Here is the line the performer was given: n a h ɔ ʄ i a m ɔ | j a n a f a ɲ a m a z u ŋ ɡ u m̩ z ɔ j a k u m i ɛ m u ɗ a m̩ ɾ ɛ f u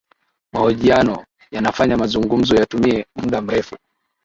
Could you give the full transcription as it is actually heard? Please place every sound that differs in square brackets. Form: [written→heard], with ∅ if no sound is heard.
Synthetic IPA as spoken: [n→m] a h ɔ ʄ i a [m→n] ɔ | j a n a f a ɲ a m a z u ŋ ɡ u m̩ z ɔ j a [k→t] u m i ɛ m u ɗ a m̩ ɾ ɛ f u